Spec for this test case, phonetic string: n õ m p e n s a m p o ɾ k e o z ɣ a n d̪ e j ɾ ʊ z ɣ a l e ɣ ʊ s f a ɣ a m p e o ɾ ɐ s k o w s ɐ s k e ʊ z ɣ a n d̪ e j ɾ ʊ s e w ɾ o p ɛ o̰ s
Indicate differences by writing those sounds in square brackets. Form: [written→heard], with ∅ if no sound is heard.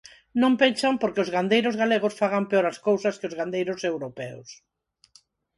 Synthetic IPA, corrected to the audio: n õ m p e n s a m p o ɾ k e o z ɣ a n d̪ e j ɾ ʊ z ɣ a l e ɣ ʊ s f a ɣ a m p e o ɾ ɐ s k o w s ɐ s k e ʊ z ɣ a n d̪ e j ɾ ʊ s e w ɾ o p ɛ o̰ s